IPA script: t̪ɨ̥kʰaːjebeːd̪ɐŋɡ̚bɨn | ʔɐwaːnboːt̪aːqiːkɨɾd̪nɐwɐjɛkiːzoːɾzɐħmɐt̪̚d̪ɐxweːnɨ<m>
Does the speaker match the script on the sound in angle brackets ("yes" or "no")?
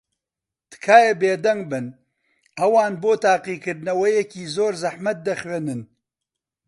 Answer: no